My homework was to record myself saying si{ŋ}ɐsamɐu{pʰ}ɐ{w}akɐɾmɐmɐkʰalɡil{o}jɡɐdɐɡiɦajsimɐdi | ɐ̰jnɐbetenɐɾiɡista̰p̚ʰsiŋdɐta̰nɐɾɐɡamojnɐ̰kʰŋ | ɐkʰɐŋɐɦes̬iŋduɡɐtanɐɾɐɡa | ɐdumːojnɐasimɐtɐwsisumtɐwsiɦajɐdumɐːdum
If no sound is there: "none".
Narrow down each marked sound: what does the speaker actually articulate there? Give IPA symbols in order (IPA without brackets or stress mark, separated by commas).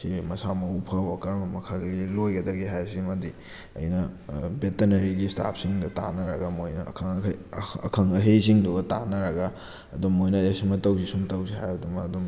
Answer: m, pʰ, w, o